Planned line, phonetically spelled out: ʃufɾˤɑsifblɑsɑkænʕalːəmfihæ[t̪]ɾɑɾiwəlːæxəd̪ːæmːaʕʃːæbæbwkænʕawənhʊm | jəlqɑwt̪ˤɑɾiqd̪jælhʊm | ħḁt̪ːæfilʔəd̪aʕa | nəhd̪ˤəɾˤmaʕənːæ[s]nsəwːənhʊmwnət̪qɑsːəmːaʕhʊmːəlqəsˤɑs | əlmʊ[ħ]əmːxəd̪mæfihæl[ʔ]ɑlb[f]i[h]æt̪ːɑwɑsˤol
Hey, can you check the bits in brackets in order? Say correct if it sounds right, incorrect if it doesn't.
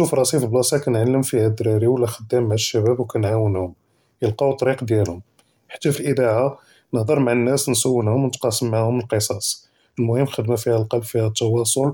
incorrect: d̪, correct, incorrect: h, incorrect: q, correct, correct

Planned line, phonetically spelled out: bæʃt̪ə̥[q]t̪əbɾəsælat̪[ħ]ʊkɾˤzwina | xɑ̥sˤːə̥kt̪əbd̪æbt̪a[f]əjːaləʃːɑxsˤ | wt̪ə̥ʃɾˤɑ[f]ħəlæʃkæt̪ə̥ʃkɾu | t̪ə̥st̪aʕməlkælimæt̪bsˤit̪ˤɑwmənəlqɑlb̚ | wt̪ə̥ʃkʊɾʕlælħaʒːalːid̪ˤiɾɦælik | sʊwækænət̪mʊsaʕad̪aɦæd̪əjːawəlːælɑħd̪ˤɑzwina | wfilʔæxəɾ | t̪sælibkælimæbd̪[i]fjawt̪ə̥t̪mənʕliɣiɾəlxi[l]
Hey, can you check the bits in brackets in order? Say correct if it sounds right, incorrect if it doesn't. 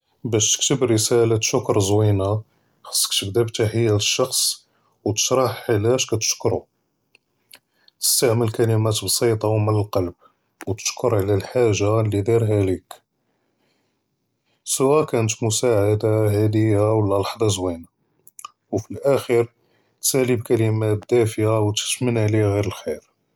incorrect: k, incorrect: ʃ, incorrect: ħ, incorrect: ħ, incorrect: æ, incorrect: ɾ

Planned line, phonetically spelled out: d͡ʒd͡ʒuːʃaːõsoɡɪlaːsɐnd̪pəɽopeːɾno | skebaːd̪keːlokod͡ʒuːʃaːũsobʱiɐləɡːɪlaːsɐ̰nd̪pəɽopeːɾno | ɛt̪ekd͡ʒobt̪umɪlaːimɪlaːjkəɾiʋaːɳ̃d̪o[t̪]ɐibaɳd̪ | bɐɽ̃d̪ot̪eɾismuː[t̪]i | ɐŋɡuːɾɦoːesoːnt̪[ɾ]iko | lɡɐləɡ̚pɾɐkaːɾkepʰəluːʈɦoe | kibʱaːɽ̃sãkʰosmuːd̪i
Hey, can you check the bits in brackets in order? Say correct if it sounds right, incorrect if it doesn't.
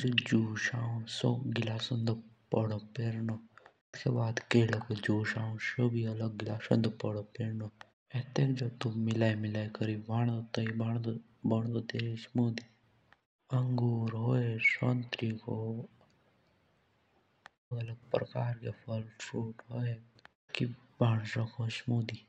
correct, incorrect: d̪, correct

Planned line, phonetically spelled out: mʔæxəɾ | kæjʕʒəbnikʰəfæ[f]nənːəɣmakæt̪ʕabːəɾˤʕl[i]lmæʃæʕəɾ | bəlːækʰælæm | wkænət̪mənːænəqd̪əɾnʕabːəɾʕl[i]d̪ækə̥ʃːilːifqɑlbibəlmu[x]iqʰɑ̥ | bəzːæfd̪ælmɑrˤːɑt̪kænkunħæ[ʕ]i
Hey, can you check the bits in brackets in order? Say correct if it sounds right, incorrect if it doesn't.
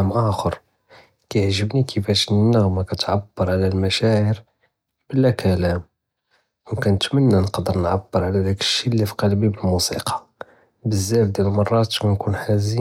incorrect: ʃ, incorrect: æ, incorrect: æ, incorrect: s, incorrect: z

